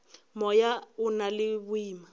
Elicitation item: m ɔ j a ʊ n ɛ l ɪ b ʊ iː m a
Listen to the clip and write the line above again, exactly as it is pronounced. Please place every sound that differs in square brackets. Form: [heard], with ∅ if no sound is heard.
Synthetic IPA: m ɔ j a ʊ n [a] l ɪ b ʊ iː m a